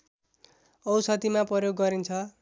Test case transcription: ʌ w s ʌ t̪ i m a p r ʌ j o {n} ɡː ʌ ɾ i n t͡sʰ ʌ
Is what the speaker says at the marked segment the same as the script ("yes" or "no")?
no